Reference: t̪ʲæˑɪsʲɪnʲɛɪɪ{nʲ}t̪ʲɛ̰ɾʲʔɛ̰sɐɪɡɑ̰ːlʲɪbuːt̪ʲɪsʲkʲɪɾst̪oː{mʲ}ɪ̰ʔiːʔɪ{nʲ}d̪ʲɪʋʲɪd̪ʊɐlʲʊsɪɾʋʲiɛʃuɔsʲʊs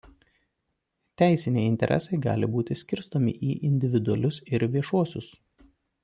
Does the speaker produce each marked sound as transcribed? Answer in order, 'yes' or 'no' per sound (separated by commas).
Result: yes, yes, yes